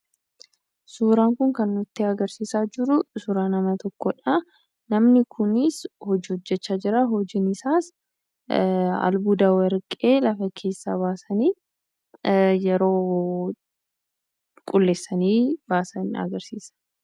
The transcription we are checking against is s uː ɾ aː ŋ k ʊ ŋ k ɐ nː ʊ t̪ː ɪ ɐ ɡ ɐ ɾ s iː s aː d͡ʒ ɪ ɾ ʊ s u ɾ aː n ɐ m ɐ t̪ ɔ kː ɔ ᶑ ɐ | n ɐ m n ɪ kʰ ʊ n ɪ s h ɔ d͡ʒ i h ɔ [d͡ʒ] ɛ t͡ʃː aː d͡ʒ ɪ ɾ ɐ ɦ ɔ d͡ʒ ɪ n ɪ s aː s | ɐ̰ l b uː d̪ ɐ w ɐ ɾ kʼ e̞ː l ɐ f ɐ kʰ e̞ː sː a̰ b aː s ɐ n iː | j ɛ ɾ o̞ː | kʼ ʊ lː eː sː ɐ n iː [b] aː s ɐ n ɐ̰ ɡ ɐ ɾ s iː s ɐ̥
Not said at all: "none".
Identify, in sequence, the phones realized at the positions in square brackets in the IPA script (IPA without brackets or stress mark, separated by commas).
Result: d͡ʒː, b